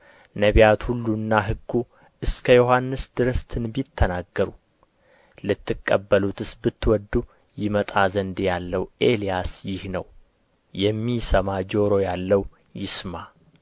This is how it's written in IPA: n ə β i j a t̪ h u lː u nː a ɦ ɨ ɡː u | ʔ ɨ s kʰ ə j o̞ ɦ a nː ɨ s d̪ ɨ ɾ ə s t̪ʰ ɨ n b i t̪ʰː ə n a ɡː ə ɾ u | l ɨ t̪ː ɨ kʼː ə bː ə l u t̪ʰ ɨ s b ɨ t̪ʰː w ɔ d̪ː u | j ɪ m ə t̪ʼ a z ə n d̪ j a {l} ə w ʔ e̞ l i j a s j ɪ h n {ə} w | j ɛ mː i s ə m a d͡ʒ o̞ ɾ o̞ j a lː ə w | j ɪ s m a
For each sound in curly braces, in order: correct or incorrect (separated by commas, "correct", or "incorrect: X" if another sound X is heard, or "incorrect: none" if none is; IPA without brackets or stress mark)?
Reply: incorrect: lː, correct